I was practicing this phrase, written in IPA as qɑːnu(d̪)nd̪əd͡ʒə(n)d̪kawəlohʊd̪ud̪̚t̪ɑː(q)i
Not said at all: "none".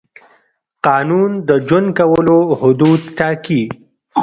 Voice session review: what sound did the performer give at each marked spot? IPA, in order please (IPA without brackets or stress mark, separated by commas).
none, n, k